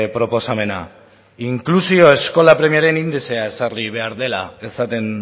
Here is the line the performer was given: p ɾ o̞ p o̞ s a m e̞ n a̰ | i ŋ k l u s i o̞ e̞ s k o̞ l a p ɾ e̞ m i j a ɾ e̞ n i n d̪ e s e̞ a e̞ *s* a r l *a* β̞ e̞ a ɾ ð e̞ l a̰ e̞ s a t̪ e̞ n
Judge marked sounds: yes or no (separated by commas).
yes, no